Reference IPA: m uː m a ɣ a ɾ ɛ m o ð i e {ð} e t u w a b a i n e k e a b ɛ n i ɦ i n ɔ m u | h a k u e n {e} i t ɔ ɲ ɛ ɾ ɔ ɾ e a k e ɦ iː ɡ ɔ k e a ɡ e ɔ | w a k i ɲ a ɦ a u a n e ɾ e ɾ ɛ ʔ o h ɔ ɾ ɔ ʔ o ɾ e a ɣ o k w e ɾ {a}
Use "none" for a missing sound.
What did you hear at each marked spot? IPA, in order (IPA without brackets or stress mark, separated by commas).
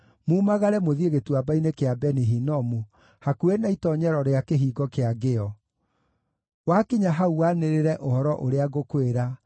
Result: ɣ, a, a